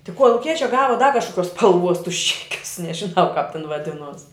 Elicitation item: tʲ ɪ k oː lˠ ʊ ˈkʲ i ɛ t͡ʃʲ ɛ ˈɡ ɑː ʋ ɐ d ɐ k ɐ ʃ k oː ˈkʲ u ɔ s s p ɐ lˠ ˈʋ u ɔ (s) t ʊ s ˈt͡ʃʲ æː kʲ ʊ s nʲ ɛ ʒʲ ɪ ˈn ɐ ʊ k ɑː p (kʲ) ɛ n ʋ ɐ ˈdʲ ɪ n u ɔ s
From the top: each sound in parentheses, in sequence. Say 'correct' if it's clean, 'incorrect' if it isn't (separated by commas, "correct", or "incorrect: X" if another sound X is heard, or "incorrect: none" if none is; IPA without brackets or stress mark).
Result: correct, incorrect: tʲ